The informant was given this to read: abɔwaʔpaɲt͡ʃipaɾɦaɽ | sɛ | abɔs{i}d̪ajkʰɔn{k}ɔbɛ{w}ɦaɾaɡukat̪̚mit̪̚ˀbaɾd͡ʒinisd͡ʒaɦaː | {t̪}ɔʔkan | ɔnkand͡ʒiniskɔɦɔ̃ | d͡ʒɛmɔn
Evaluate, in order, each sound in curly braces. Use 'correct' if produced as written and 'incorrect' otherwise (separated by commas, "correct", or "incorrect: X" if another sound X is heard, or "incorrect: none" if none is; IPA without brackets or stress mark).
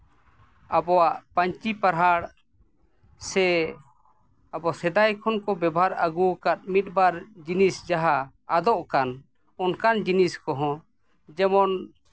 incorrect: ɛ, correct, incorrect: b, incorrect: d̪